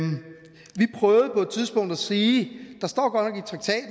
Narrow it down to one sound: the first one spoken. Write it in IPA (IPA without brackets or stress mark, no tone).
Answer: ʋ